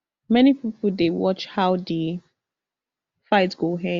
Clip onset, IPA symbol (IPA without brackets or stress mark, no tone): m